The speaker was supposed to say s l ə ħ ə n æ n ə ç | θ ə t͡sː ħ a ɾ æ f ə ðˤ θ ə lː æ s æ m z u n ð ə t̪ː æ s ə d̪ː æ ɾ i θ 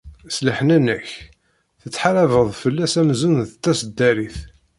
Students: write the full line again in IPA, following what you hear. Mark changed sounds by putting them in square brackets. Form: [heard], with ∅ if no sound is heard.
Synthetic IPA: s l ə ħ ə n æ n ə ç | θ ə t͡sː ħ a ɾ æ [v] ə ðˤ [f] ə lː æ s æ m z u n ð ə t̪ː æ s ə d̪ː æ ɾ i θ